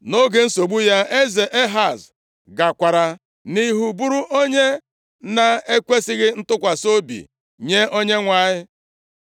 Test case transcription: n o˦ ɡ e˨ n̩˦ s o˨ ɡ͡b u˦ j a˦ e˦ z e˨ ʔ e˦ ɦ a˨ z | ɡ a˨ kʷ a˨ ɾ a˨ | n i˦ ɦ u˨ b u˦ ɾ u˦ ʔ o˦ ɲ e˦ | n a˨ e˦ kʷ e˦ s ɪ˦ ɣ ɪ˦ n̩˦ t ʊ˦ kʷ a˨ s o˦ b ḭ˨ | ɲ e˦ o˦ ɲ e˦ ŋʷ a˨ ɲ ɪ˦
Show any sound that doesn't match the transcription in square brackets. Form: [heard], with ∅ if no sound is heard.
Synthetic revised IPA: n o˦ ɡ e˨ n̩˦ s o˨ ɡ͡b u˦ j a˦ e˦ z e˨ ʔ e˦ ɦ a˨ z | ɡ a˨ kʷ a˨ ɾ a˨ | n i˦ ɦ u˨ b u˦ ɾ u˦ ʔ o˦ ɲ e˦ | n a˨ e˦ kʷ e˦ s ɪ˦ ɣ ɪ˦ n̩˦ t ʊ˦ kʷ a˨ s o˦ b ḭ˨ | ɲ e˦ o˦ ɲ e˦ ŋʷ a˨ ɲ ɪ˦

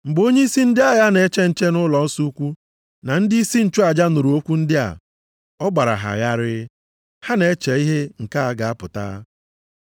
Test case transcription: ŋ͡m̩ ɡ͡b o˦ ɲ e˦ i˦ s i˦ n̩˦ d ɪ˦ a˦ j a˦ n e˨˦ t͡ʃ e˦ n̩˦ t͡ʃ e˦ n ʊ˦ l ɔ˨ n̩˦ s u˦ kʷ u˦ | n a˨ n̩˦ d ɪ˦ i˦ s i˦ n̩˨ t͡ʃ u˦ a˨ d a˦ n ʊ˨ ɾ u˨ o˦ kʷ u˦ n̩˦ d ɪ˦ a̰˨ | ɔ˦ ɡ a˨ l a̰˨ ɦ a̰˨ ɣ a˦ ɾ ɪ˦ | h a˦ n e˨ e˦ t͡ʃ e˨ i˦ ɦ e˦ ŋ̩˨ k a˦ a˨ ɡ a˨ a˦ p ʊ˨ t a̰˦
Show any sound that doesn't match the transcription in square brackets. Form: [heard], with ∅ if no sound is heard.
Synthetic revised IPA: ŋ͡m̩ ɡ͡b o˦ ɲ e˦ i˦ s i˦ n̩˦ d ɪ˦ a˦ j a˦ n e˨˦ t͡ʃ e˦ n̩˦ t͡ʃ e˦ n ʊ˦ l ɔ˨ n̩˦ s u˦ kʷ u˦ | n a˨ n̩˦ d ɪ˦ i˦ s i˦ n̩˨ t͡ʃ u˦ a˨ [d͡ʒ] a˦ n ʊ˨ ɾ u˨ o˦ kʷ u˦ n̩˦ d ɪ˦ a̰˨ | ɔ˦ [ɡ͡b] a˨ [ɾ] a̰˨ ɦ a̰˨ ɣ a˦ ɾ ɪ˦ | h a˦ n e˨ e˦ t͡ʃ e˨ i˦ ɦ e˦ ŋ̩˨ k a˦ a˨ ɡ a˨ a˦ p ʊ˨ t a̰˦

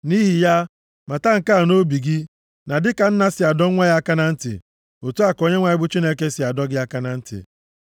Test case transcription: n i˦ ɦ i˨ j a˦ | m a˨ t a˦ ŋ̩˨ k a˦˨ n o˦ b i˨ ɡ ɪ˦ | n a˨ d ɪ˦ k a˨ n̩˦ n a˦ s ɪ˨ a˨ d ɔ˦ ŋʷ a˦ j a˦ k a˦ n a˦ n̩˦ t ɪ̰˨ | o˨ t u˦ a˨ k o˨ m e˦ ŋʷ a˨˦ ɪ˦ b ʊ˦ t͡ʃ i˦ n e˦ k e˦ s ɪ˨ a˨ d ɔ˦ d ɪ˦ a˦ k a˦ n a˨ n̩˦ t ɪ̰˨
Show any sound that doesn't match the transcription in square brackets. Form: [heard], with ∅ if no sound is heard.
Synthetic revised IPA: n i˦ ɦ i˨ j a˦ | m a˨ t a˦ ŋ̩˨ k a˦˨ n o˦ b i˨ ɡ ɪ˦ | n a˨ d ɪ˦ k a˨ n̩˦ n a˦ s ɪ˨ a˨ d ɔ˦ ŋʷ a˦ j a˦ k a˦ n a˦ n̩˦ t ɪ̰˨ | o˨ t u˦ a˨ k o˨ [ɲ] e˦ ŋʷ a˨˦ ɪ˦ b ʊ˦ t͡ʃ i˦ n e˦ k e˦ s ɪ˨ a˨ d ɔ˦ [ɡ] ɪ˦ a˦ k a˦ n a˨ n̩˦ t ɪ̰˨

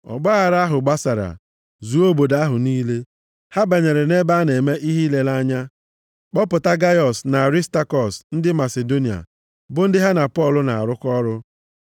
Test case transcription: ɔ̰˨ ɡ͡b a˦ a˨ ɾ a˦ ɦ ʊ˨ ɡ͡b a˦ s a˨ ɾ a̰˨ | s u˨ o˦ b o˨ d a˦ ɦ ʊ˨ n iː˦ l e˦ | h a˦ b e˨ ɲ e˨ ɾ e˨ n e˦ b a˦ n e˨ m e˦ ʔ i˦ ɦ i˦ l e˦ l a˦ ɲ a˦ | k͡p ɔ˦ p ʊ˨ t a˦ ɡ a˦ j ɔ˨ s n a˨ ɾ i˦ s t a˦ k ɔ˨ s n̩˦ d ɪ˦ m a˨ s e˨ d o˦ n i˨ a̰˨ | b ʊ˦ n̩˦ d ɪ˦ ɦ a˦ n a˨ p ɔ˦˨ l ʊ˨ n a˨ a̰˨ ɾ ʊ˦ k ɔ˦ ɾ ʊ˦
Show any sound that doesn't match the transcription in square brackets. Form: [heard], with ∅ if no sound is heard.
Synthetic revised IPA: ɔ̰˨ ɡ͡b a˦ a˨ ɾ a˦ ɦ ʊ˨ ɡ͡b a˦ s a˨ ɾ a̰˨ | [z] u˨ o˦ b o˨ d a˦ ɦ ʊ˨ n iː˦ l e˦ | h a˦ b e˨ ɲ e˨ ɾ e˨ n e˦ b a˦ n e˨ m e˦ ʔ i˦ ɦ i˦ l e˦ l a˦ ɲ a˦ | k͡p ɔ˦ p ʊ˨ t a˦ ɡ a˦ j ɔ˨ s n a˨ ɾ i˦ s t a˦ k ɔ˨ s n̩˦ d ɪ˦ m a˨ s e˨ d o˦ n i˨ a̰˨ | b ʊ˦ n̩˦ d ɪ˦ ɦ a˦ n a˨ p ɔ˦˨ l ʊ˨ n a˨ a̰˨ ɾ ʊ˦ k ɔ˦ ɾ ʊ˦

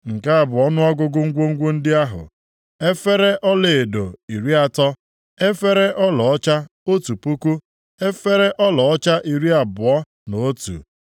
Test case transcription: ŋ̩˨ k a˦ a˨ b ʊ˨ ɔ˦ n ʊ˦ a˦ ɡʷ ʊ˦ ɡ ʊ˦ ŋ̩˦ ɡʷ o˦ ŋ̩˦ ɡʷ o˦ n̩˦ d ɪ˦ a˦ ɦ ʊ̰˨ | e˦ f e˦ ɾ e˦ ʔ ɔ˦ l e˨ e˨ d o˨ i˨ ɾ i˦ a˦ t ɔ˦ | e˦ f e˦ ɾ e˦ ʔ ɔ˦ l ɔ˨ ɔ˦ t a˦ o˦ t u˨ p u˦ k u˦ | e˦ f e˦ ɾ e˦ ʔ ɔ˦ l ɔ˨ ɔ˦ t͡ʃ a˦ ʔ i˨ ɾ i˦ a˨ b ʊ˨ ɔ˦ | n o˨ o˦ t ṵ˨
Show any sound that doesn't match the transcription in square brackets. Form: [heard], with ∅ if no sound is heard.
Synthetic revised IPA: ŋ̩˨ k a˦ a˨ b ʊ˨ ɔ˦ n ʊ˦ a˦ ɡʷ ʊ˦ ɡ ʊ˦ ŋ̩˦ ɡʷ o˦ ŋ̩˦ ɡʷ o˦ n̩˦ d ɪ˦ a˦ ɦ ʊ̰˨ | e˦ f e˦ ɾ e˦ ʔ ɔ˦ l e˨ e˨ d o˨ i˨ ɾ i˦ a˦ t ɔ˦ | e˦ f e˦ ɾ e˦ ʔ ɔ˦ l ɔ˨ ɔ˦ [t͡ʃ] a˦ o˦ t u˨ p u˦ k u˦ | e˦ f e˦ ɾ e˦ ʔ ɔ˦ l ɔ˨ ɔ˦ t͡ʃ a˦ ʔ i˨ ɾ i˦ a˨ b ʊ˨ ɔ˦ | n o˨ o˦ t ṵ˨

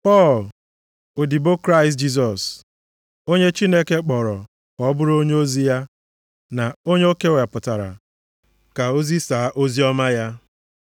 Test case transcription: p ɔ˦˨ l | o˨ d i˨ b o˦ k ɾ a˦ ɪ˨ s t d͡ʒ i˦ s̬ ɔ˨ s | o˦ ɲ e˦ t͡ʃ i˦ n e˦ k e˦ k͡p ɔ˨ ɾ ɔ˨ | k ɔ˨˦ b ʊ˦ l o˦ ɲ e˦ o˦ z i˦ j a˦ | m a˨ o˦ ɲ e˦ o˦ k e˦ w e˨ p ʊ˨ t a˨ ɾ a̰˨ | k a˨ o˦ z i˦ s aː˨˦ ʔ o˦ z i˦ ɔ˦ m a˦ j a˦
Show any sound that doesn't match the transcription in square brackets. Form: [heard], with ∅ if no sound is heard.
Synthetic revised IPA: p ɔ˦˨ l | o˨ d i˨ b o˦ k ɾ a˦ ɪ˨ s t d͡ʒ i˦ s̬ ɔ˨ s | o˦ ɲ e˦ t͡ʃ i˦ n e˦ k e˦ k͡p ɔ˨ ɾ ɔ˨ | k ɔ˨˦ b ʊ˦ [ɾ] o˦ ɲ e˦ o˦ z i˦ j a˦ | [n] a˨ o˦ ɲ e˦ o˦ k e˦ w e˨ p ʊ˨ t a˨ ɾ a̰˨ | k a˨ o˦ z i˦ s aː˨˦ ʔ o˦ z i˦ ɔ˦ m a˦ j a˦

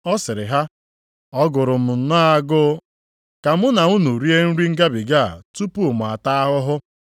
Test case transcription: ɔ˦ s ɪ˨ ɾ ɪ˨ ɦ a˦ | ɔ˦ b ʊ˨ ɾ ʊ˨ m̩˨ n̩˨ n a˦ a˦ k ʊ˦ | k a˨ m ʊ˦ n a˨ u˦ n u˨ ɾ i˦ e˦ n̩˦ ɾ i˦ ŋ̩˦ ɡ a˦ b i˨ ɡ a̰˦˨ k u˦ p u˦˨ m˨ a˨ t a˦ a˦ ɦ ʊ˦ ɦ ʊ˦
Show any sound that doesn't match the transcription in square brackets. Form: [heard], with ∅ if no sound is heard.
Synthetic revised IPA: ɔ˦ s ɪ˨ ɾ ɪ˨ ɦ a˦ | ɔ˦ [ɡ] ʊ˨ ɾ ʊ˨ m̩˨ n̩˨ n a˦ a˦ [ɡ] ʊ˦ | k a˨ m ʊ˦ n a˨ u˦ n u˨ ɾ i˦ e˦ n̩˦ ɾ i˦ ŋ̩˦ ɡ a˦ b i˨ ɡ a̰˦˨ [t] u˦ p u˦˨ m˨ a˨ t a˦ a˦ ɦ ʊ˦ ɦ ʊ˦

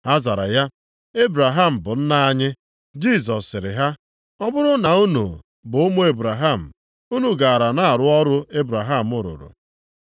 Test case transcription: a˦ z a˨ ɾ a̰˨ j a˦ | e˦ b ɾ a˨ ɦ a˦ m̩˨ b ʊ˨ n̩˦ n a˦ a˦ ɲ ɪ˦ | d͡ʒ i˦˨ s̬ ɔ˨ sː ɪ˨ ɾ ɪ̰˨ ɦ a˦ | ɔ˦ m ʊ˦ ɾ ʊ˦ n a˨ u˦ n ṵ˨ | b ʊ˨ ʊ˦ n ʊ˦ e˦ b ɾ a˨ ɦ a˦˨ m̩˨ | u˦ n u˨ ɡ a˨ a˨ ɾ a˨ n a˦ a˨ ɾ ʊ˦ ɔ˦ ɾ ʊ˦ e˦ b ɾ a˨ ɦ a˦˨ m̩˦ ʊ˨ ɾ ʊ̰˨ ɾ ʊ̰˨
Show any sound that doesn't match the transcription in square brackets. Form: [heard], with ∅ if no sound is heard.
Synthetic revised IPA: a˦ z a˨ ɾ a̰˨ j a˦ | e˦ b ɾ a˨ ɦ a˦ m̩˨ b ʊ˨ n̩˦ n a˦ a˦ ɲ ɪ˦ | d͡ʒ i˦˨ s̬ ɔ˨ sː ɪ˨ ɾ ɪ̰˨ ɦ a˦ | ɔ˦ [b] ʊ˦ ɾ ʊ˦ n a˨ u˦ n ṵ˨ | b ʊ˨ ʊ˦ [m] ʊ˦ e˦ b ɾ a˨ ɦ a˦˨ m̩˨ | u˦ n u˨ ɡ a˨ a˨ ɾ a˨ n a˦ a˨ ɾ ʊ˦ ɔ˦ ɾ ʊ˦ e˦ b ɾ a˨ ɦ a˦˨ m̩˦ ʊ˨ ɾ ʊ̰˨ ɾ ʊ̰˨

